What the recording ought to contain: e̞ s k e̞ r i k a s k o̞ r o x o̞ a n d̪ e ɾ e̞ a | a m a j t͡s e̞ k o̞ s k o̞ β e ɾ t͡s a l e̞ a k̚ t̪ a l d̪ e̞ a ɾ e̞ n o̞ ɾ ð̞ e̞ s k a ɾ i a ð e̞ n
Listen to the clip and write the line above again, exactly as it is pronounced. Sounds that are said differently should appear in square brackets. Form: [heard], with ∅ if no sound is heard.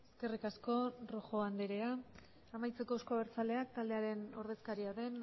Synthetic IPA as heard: e̞ s k e̞ r i k a s k o̞ r o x o̞ a n d̪ e ɾ e̞ a | a m a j t͡s e̞ k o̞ s k o̞ β e ɾ t͡s a l e̞ a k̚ t̪ a l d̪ e̞ a ɾ e̞ n o̞ ɾ ð̞ e̞ s k a ɾ i a ð e̞ n